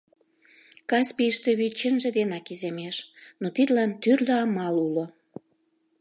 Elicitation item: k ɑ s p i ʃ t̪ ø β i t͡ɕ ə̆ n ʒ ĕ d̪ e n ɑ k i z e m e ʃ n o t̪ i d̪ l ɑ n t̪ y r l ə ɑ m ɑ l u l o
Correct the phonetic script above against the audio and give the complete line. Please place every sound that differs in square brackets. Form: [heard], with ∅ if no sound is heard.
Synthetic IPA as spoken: k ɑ s p i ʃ t̪ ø β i t͡ɕ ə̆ n ʒ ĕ d̪ e n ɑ k i z e m e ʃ n o t̪ i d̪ l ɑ n t̪ y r l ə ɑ m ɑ l u l o